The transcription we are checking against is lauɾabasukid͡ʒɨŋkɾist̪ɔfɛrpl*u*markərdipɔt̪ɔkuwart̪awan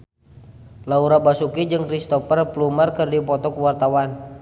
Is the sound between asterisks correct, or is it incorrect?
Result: correct